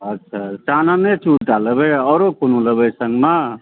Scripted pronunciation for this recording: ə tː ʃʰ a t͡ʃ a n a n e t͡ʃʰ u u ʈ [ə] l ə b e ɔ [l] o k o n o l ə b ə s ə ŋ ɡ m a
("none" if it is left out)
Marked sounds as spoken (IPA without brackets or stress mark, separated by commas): a, ɾ